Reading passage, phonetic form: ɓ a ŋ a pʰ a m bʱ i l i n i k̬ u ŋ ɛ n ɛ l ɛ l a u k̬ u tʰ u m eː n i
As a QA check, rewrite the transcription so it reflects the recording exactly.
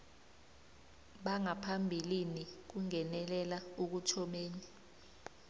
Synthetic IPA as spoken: ɓ a ŋ a pʰ a m bʱ i l i n i k̬ u ŋ ɛ n ɛ l ɛ l a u k̬ u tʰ ɔ m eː n i